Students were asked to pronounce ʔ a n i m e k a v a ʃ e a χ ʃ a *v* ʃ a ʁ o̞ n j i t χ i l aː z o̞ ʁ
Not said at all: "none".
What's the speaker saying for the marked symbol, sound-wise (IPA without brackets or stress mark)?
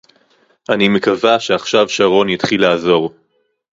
v